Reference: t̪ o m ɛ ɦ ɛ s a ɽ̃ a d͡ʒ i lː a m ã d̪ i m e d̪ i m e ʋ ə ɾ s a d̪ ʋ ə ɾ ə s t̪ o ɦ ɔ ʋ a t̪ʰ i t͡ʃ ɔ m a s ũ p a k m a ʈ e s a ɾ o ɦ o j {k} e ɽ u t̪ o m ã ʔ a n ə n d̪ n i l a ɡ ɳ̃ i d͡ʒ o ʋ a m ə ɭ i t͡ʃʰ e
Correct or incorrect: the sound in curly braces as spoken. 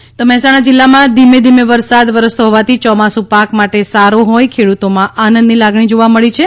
incorrect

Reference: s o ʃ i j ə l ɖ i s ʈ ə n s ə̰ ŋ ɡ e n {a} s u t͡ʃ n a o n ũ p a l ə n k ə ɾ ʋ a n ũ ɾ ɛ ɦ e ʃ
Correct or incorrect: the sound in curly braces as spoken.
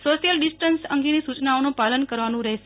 incorrect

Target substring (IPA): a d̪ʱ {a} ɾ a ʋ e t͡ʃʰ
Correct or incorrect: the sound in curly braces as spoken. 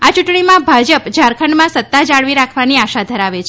incorrect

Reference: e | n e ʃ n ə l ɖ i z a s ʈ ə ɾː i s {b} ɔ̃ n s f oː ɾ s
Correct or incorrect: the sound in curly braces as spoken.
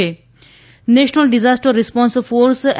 incorrect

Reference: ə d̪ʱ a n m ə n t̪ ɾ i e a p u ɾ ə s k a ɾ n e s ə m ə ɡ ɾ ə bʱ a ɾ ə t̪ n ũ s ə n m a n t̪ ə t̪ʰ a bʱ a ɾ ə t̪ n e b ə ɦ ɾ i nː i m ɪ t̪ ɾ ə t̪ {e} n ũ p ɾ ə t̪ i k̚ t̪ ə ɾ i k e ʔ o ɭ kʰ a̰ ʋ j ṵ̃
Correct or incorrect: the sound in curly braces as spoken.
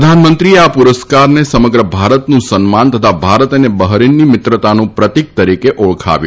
incorrect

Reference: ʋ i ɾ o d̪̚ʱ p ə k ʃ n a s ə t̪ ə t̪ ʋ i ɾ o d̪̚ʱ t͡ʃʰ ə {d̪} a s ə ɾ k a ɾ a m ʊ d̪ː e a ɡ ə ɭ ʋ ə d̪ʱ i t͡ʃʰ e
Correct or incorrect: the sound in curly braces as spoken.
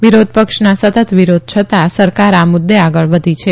incorrect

